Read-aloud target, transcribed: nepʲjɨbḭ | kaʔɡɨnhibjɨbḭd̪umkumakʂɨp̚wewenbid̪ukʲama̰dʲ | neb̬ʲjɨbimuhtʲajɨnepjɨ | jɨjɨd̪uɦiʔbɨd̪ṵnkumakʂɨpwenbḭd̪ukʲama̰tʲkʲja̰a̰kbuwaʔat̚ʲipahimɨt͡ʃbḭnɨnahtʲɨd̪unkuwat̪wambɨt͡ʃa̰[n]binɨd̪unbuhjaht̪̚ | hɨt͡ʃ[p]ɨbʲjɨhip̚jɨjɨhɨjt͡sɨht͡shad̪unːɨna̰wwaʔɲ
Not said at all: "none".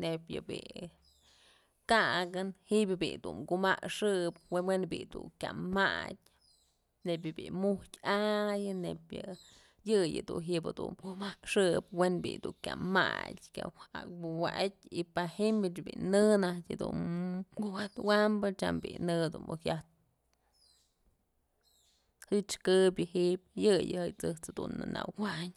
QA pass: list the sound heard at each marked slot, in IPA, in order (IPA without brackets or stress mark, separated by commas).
m, k